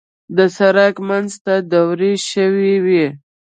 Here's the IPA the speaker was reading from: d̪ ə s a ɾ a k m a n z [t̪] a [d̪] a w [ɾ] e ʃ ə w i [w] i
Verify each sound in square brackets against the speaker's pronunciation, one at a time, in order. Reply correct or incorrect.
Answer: correct, correct, correct, correct

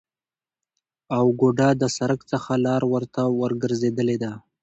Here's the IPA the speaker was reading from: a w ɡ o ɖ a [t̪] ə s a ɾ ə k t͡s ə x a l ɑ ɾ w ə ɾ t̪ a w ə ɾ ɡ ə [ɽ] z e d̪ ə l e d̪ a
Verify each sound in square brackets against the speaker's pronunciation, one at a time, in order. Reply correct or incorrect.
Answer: incorrect: d̪, incorrect: ɾ

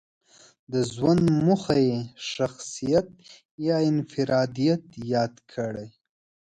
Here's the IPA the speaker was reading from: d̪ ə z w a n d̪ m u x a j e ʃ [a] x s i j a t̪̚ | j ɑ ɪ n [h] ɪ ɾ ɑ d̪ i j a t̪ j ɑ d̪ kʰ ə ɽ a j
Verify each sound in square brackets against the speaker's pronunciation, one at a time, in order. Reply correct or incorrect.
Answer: correct, incorrect: f

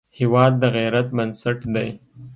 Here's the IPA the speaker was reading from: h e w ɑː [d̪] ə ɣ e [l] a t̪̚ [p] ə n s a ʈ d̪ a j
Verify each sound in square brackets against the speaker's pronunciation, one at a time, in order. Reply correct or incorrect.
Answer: incorrect: d̪ː, incorrect: ɾ, incorrect: b

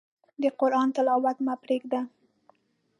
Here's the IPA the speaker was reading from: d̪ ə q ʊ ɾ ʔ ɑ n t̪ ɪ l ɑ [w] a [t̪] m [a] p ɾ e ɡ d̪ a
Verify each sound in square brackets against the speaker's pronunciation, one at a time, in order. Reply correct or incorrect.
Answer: correct, correct, correct

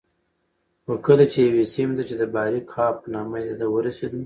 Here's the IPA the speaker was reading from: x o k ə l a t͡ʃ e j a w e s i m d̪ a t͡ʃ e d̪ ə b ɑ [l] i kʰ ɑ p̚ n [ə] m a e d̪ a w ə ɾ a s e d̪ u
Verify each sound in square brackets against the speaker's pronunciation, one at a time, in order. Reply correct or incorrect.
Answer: incorrect: ɾ, incorrect: ɑ

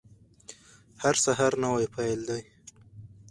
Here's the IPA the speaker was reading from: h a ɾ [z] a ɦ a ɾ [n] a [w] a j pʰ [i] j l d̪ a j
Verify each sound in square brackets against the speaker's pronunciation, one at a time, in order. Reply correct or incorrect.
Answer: incorrect: s, correct, correct, incorrect: a

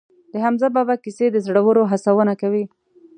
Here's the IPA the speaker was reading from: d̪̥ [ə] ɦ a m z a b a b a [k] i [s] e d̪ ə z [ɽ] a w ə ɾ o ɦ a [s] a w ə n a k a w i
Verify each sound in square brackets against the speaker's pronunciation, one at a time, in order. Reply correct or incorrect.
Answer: correct, correct, correct, correct, correct

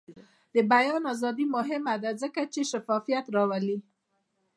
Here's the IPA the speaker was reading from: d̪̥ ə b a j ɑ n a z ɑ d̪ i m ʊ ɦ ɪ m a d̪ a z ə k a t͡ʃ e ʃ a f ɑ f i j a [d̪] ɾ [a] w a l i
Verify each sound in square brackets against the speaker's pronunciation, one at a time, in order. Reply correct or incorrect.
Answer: incorrect: t̪, incorrect: ɑ

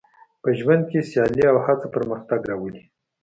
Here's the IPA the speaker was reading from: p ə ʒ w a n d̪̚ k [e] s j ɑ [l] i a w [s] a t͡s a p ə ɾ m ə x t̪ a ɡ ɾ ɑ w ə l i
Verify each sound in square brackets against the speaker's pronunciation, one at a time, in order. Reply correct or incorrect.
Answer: correct, correct, incorrect: h

